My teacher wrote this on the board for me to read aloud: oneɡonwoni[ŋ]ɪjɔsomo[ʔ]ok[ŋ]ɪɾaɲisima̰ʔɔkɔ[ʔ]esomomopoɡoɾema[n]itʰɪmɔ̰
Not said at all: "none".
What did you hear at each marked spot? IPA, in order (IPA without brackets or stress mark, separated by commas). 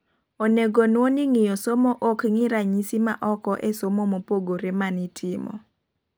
ŋ, ʔ, ŋ, ʔ, n